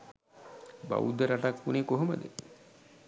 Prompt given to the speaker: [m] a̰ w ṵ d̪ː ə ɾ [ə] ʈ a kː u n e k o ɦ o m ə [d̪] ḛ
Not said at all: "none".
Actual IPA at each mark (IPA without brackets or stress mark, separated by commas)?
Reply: b, a, d̪